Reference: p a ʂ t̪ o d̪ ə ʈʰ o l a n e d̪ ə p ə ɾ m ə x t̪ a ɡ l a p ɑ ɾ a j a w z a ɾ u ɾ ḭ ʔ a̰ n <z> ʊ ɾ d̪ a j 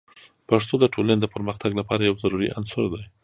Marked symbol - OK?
no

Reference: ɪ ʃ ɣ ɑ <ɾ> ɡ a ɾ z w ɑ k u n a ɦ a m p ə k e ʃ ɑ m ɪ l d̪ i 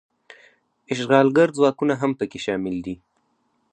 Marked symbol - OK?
no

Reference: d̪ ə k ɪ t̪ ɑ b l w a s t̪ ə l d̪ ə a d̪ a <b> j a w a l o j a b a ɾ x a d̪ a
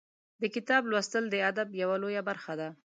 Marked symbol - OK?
yes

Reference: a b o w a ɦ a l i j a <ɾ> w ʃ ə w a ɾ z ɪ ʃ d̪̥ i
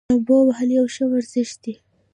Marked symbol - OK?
no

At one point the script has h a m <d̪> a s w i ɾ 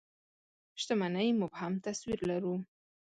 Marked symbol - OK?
no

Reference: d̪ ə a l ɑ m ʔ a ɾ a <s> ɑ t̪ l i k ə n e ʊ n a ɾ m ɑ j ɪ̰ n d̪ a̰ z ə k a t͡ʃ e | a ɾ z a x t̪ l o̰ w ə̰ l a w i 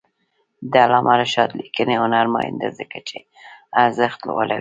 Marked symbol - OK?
no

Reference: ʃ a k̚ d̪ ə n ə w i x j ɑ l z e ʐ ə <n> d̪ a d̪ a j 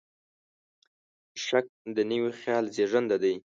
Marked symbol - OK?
yes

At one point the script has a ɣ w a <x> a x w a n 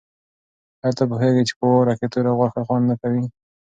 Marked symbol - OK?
yes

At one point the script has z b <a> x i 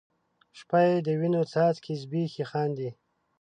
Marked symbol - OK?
no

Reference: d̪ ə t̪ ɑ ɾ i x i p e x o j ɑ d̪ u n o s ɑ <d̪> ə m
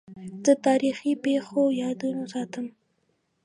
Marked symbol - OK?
no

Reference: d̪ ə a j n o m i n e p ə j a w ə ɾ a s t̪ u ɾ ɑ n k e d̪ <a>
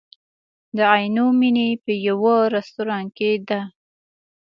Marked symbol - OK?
yes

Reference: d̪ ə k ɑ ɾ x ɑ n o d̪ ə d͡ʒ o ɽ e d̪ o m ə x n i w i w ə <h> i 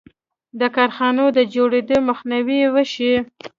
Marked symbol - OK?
no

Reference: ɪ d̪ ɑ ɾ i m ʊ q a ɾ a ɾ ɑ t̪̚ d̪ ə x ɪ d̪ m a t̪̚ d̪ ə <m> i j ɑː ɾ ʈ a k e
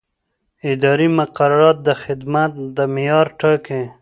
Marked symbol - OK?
yes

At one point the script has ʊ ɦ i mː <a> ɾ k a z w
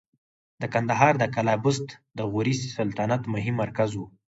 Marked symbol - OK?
yes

